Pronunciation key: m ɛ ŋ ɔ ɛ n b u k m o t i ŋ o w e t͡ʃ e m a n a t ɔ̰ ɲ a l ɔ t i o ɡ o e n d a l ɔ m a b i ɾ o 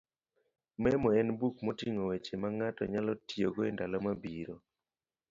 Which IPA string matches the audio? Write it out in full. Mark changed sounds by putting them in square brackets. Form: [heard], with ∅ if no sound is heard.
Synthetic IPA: m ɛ [m] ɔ ɛ n b u k m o t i ŋ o w e t͡ʃ e m a [ŋ] a t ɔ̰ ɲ a l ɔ t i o ɡ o e n d a l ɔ m a b i ɾ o